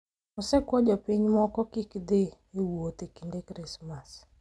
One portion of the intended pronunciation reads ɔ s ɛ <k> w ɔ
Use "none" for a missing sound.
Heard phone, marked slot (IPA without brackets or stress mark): k